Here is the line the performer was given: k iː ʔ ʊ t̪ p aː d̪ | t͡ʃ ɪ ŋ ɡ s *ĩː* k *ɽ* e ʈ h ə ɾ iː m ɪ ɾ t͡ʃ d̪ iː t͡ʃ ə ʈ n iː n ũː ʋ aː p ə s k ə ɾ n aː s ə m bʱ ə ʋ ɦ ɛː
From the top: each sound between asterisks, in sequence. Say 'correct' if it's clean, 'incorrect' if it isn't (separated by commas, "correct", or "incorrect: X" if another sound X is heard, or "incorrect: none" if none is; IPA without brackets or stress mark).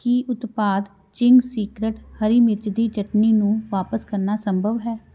incorrect: iː, incorrect: ɾ